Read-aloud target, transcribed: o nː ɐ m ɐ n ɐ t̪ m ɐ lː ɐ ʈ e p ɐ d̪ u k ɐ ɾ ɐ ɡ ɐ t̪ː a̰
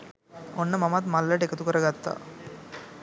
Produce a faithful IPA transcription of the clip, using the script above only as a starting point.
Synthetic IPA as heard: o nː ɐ m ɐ m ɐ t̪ m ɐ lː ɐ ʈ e k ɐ t̪ u k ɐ ɾ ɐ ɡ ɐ t̪ː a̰